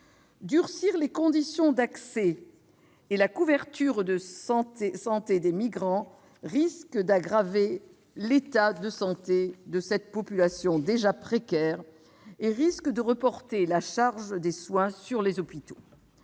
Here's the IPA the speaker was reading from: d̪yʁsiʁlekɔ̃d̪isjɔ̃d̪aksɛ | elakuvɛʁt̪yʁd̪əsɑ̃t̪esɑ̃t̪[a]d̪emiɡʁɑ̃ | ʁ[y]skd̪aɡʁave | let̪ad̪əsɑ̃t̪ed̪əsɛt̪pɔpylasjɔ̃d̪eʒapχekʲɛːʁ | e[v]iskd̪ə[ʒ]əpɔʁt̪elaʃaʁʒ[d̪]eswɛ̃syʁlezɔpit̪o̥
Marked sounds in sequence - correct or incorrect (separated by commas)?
incorrect, incorrect, incorrect, incorrect, correct